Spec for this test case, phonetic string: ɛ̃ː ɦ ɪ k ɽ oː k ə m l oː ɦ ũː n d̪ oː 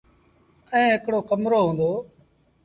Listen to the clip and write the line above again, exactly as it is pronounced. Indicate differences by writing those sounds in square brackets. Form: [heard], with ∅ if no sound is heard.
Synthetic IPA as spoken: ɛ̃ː ɦ ɪ k ɽ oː k ə m [ɾ] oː ɦ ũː n d̪ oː